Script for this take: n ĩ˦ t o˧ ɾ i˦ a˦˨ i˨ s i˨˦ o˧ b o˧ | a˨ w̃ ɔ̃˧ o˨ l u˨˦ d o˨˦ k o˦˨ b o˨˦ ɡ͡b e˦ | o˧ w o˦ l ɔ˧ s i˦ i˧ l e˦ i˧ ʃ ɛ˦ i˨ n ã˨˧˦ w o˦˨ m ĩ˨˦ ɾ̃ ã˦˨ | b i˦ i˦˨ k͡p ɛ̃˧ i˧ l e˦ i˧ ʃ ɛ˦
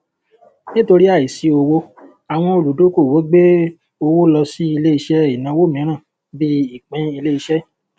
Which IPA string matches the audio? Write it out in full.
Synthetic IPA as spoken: n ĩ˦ t o˧ ɾ i˦ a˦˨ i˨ s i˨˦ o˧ w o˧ | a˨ w̃ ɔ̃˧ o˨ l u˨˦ d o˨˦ k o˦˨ w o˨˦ ɡ͡b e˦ | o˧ w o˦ l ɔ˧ s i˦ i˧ l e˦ i˧ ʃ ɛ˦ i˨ n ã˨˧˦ w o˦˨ m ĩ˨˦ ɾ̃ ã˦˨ | b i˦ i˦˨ k͡p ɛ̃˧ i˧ l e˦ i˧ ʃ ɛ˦

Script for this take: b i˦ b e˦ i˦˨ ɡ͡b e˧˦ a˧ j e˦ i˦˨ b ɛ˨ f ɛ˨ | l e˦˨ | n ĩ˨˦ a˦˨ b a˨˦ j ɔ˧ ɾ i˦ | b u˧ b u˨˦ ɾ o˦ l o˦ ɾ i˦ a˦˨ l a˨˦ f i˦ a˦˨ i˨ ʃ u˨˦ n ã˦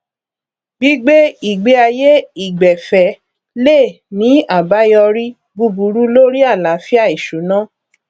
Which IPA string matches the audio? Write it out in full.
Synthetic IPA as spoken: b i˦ ɡ͡b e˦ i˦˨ ɡ͡b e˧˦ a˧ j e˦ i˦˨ ɡ͡b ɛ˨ f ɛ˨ | l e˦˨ | n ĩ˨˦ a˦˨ b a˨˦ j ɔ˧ ɾ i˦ | b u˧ b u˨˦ ɾ u˦ l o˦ ɾ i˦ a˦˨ l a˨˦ f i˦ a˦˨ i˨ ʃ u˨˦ n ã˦

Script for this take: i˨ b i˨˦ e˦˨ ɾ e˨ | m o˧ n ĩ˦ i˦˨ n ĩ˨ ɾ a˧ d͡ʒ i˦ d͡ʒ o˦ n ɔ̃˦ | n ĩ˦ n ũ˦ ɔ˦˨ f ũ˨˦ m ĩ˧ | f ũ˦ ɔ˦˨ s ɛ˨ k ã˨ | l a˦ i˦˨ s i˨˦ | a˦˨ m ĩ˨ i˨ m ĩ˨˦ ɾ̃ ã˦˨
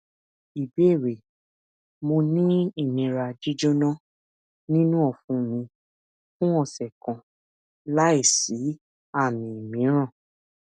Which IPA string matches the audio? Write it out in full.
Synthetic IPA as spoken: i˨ b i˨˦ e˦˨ ɾ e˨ | m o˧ n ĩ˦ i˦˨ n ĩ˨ ɾ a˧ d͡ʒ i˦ d͡ʒ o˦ n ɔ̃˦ | n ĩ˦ n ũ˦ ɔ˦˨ f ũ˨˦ m ĩ˧ | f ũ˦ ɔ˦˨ s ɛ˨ k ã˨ | l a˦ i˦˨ s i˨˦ | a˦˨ m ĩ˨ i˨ m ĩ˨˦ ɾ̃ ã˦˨

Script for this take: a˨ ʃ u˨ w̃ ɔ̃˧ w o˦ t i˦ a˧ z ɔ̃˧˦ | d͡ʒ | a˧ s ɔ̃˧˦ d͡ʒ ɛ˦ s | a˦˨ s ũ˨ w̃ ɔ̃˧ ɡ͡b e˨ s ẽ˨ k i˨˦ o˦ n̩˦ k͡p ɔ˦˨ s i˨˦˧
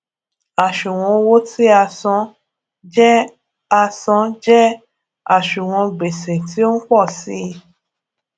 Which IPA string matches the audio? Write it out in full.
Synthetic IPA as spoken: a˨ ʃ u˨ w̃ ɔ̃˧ w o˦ t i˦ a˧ s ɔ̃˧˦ | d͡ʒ | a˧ s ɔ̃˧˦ d͡ʒ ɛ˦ | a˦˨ ʃ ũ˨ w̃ ɔ̃˧ ɡ͡b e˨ s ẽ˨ t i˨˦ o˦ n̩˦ k͡p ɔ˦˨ s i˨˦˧

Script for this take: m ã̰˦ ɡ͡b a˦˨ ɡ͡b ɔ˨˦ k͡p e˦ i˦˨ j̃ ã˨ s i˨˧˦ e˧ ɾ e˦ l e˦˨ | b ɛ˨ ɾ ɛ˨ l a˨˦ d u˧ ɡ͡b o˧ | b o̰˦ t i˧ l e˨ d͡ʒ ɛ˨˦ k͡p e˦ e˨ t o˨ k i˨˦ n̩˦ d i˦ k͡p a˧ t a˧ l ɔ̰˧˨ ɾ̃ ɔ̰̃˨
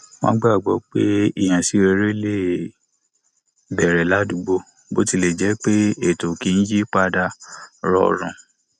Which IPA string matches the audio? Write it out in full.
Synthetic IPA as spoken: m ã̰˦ ɡ͡b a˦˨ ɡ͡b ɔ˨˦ k͡p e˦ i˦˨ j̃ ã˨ s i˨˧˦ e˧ ɾ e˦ l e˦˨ | b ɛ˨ ɾ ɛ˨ l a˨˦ d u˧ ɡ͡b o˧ | b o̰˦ t i˧ l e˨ d͡ʒ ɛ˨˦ k͡p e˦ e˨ t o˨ k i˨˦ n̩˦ d͡ʒ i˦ k͡p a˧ d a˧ ɾ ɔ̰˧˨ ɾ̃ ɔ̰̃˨

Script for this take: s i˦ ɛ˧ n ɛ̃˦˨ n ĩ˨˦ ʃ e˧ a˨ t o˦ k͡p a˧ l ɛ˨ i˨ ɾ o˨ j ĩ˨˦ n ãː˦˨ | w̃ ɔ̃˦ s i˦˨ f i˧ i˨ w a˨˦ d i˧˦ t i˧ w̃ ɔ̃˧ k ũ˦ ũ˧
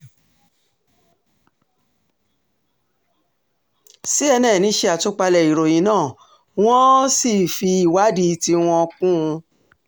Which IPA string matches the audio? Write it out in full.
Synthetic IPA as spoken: s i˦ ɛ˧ n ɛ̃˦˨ n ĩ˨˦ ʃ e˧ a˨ t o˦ k͡p a˧ l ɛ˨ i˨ ɾ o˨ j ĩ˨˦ n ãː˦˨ | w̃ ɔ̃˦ s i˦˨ f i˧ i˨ w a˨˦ d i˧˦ t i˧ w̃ ɔ̃˧ k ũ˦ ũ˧

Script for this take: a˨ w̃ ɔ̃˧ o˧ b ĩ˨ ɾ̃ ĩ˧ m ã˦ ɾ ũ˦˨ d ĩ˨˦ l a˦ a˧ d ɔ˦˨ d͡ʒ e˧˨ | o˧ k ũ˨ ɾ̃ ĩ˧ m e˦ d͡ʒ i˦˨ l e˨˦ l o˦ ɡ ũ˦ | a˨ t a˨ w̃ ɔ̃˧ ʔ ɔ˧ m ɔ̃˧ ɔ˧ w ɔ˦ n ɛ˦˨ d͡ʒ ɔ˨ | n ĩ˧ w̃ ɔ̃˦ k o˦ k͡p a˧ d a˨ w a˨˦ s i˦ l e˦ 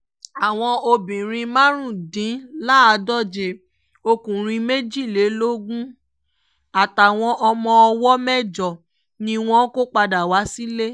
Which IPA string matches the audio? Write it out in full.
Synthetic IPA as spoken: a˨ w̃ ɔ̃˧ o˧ b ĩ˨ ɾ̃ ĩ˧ m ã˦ ɾ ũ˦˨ d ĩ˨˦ l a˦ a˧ d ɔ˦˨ d͡ʒ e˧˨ | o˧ k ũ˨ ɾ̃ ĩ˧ m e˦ d͡ʒ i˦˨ l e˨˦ l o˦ ɡ ũ˦ | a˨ t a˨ w̃ ɔ̃˧ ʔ ɔ˧ m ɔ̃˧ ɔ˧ w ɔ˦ m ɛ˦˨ d͡ʒ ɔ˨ | n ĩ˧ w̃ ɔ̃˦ k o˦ k͡p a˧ d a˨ w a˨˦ s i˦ l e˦

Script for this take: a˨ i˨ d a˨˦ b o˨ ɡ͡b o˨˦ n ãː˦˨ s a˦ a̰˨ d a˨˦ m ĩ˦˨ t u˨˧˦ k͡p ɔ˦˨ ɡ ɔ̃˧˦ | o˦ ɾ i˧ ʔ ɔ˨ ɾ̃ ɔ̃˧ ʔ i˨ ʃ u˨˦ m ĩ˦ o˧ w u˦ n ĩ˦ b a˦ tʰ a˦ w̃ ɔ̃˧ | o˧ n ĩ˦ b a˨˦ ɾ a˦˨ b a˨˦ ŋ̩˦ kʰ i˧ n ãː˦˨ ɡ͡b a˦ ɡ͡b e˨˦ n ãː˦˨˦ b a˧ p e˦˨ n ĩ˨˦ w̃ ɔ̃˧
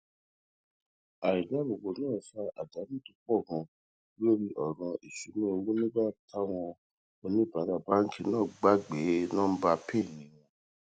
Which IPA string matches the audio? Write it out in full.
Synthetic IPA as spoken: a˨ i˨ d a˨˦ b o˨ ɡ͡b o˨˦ n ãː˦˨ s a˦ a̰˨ d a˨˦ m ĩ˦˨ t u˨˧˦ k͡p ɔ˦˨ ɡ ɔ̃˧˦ | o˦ ɾ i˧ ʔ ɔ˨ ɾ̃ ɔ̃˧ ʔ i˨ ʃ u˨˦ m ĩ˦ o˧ w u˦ n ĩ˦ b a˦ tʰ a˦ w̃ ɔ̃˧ | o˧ n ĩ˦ b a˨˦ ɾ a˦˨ b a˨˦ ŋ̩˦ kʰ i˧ n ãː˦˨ ɡ͡b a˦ ɡ͡b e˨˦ n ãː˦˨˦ b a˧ p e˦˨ n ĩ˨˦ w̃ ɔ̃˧

